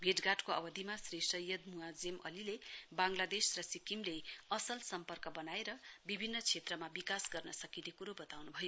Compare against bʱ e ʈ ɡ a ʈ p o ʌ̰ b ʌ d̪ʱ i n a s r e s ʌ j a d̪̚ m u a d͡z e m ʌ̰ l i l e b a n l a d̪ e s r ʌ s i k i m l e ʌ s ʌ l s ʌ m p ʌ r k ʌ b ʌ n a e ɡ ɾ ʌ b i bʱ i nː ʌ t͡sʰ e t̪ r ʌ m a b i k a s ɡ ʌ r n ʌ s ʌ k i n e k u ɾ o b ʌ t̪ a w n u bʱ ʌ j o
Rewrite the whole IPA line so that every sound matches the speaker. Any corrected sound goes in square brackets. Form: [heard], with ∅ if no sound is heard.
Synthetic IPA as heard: bʱ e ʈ ɡ a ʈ [k] o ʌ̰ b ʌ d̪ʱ i [m] a s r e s ʌ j [ʌ] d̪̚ m u a d͡z e m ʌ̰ l i l e b a [ŋ] l a d̪ e s r ʌ s i k i m l e ʌ s ʌ l s ʌ m p ʌ r k ʌ b ʌ n a e [∅] ɾ ʌ b i bʱ i nː ʌ t͡sʰ e t̪ r ʌ m a b i k a s ɡ ʌ r n ʌ s ʌ k i n e k u ɾ o b ʌ t̪ a w n u bʱ ʌ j o